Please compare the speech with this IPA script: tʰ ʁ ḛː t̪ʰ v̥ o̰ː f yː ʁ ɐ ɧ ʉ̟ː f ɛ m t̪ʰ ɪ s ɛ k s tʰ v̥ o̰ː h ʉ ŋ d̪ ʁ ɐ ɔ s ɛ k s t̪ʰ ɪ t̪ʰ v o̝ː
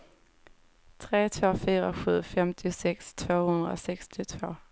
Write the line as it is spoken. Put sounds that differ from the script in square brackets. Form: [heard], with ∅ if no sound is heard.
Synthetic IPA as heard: tʰ ʁ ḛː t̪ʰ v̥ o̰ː f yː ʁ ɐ ɧ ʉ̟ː f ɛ m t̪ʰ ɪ s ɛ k s tʰ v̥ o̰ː h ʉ [n] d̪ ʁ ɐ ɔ s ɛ k s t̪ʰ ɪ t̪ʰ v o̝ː